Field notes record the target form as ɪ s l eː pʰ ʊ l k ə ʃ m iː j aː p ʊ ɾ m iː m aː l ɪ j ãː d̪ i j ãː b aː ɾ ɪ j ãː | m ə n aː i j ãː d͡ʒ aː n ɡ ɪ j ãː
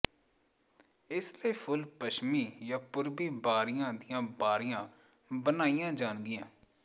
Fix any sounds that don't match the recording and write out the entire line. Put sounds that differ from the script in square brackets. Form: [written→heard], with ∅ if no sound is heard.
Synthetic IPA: ɪ s l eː pʰ ʊ l [k→p] ə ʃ m iː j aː p ʊ ɾ [m→b] iː [m→b] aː [l→ɾ] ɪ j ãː d̪ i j ãː b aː ɾ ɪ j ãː | [m→b] ə n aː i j ãː d͡ʒ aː n ɡ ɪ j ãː